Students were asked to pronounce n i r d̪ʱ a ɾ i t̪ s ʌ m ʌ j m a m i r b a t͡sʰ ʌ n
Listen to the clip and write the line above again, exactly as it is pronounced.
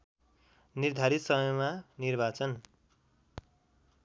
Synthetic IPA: n i r d̪ʱ a ɾ i t̪ s ʌ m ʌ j m a n i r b a t͡s ʌ n